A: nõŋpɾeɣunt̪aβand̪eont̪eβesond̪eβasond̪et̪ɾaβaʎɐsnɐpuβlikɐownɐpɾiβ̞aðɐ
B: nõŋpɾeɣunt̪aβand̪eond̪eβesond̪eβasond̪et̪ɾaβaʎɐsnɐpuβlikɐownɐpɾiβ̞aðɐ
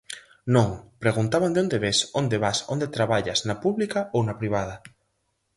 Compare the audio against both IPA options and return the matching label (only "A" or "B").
B